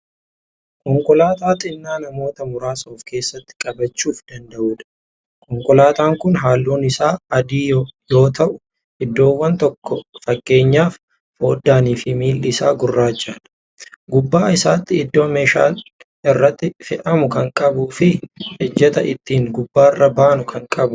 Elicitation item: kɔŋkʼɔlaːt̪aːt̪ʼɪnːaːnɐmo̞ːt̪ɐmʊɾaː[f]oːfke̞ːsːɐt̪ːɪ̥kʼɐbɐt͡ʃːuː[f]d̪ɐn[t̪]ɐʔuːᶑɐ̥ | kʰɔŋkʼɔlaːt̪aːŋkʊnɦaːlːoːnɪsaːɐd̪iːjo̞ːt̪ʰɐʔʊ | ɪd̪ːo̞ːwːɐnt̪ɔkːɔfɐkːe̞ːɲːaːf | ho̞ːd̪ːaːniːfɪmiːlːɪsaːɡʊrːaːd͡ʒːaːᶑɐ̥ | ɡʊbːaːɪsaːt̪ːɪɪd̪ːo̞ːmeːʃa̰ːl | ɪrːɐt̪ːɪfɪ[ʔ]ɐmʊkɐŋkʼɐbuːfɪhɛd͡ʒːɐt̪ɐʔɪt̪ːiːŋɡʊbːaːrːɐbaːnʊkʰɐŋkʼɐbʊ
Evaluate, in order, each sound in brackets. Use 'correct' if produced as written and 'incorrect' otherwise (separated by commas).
incorrect, correct, incorrect, correct